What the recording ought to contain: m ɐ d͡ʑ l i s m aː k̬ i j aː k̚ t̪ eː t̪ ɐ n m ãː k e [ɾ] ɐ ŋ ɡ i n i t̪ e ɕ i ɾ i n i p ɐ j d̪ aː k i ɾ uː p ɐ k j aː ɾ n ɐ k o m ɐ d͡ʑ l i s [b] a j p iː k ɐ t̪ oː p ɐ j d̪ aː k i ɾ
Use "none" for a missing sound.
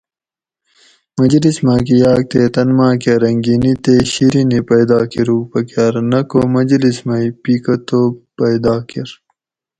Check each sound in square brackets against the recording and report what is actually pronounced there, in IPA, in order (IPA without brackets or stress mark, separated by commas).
ɾ, m